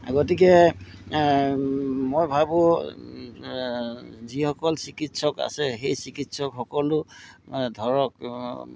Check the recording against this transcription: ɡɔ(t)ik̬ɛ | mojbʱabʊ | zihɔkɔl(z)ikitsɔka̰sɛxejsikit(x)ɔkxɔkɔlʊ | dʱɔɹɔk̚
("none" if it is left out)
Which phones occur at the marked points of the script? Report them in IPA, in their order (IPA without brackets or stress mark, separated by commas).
t, s, s